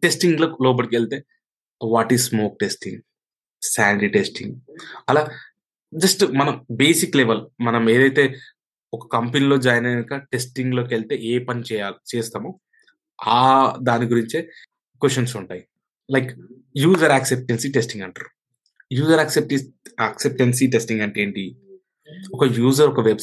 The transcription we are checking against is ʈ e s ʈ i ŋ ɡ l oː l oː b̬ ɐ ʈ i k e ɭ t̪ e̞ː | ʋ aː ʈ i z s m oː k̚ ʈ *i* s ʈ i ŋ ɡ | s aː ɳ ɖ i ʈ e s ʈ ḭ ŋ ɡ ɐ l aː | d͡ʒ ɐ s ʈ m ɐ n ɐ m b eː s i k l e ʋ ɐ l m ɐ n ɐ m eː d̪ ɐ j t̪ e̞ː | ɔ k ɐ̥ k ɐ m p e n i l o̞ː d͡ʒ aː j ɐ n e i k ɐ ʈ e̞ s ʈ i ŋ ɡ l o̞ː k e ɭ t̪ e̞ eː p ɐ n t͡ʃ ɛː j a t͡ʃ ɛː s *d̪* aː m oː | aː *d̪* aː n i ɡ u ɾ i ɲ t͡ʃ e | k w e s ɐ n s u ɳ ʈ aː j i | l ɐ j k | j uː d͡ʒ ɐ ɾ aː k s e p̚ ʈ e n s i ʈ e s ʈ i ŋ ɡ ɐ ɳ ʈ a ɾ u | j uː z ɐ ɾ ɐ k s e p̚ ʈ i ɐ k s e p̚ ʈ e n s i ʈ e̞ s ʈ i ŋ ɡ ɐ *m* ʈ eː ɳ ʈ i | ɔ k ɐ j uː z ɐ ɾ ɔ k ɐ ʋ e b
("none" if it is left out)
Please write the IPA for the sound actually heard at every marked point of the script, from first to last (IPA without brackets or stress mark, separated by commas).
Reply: e, t̪, d̪, ɳ